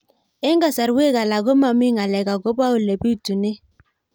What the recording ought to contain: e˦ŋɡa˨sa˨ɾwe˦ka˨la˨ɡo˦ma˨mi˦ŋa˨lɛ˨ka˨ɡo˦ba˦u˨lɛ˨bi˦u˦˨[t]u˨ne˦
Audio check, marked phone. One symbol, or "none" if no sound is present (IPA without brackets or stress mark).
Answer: t